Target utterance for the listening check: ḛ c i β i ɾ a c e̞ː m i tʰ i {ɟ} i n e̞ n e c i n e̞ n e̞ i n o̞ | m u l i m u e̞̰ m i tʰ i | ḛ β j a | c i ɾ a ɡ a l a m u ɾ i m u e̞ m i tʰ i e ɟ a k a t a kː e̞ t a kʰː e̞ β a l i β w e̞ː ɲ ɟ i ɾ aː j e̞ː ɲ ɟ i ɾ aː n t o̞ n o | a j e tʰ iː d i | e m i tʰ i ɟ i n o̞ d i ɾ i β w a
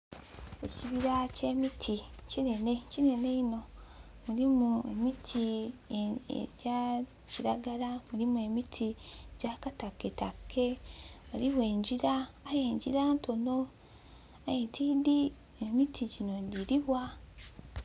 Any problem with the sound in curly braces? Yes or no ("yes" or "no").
yes